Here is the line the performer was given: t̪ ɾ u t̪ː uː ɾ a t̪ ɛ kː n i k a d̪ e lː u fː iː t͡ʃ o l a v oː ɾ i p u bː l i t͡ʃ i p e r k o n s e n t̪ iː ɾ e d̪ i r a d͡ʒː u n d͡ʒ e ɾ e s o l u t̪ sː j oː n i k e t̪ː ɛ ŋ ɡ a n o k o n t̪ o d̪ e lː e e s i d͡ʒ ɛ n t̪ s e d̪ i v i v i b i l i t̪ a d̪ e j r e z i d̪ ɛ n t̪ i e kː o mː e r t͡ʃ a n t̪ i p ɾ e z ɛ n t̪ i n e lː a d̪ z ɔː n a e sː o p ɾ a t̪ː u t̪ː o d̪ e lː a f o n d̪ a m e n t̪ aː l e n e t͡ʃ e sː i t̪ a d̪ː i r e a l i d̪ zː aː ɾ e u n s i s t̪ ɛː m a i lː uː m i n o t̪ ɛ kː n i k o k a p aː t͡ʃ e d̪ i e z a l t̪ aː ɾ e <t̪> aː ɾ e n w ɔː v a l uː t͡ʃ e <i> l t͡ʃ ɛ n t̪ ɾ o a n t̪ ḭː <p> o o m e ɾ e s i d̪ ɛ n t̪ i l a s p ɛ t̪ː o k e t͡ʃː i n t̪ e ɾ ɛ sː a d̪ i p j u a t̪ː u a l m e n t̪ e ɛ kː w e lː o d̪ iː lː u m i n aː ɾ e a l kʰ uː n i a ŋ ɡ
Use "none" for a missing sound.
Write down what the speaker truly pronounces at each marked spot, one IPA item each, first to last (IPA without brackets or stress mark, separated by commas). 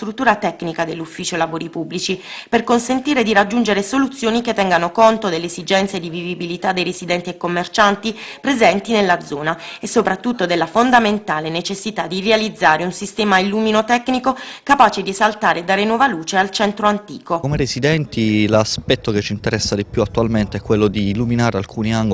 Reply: d̪, a, k